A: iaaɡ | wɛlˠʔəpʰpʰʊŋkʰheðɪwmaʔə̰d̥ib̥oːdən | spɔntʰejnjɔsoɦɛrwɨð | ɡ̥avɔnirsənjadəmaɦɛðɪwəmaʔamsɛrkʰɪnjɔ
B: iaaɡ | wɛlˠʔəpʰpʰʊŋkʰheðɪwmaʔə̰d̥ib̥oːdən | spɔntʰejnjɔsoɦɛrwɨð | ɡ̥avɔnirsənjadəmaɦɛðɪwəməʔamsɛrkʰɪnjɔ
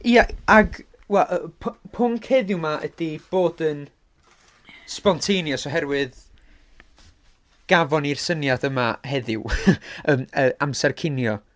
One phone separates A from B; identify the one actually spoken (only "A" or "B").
B